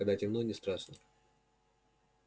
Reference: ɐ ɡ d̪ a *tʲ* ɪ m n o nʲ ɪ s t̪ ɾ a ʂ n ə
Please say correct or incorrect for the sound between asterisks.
correct